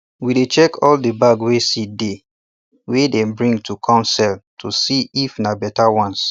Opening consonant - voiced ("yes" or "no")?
yes